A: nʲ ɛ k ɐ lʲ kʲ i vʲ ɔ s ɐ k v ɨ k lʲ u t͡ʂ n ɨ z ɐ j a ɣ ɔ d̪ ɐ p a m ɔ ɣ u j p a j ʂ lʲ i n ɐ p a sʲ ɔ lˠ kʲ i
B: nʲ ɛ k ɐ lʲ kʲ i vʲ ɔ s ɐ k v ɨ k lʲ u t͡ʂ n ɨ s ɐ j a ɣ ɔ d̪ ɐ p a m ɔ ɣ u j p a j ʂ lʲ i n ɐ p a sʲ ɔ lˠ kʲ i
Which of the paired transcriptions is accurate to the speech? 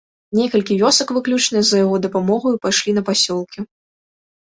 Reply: A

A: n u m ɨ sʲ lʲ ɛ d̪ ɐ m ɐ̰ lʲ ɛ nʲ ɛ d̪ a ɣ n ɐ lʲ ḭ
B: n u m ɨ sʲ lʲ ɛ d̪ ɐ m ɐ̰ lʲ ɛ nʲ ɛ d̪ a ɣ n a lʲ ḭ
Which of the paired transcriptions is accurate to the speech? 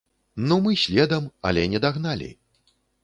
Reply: B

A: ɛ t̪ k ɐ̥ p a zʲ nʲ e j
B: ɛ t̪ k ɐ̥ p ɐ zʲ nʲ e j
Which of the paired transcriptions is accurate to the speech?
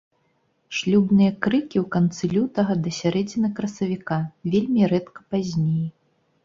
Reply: A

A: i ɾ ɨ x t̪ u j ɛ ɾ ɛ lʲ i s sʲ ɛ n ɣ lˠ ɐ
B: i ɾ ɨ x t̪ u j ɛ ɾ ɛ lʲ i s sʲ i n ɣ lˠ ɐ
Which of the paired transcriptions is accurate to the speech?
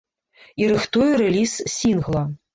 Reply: B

